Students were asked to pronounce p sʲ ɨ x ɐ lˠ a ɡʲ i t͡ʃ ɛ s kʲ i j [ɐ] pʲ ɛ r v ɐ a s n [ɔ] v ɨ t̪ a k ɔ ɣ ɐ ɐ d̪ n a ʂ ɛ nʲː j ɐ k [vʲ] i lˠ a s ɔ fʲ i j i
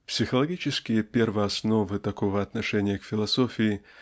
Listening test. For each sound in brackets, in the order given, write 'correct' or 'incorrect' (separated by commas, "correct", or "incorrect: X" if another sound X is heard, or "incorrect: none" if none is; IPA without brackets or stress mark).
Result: correct, correct, incorrect: fʲ